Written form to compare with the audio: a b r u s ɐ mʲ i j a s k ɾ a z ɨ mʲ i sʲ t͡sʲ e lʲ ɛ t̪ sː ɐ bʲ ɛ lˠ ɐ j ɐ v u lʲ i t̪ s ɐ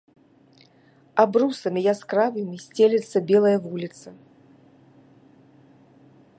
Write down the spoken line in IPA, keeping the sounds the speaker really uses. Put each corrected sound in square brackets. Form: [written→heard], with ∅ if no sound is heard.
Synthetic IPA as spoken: a b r u s ɐ mʲ i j a s k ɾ a [z→v] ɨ mʲ i sʲ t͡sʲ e lʲ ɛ t̪ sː ɐ bʲ ɛ lˠ ɐ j ɐ v u lʲ i t̪ s ɐ